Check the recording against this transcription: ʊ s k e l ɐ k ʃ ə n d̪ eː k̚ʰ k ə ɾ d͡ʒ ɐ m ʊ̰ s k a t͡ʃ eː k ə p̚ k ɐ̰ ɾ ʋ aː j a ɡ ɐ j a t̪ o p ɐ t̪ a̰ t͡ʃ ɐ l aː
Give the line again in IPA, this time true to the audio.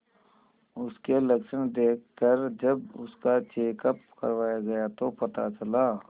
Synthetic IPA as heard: ʊ s k e l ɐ k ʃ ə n d̪ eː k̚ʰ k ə ɾ d͡ʒ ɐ b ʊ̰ s k a t͡ʃ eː k ə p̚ k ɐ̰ ɾ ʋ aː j a ɡ ɐ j a t̪ o p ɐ t̪ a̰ t͡ʃ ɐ l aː